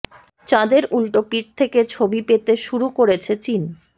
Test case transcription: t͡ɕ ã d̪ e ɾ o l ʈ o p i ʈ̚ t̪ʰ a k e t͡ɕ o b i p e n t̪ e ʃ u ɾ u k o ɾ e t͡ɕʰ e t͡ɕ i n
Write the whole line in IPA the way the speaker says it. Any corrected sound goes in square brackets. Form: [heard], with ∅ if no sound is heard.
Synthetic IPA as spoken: t͡ɕ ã d̪ e ɾ [u] l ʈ o p i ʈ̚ t̪ʰ [e] k e [t͡ɕʰ] o b i p e [∅] t̪ e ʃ u ɾ u k o ɾ e t͡ɕʰ e t͡ɕ i n